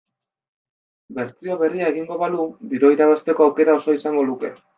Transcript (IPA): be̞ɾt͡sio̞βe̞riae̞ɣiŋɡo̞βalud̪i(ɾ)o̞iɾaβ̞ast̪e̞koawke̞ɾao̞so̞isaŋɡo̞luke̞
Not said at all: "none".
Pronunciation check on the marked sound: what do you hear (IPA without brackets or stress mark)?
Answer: ɾ